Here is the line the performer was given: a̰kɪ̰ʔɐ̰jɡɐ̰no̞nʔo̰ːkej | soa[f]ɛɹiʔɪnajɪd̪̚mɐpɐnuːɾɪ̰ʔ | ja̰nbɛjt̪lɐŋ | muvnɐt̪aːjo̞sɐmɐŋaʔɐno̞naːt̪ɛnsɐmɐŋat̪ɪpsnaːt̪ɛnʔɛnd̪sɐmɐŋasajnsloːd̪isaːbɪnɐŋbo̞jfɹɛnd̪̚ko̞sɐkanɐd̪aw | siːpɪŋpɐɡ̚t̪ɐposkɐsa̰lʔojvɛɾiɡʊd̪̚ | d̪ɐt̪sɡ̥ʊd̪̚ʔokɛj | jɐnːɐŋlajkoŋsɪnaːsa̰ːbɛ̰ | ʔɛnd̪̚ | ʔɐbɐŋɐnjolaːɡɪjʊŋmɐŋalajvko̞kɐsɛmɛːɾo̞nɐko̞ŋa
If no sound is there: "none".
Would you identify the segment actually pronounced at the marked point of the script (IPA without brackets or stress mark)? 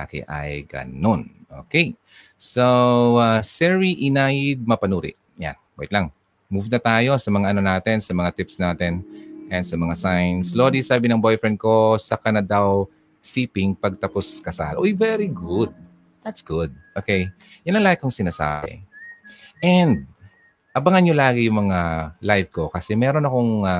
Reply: s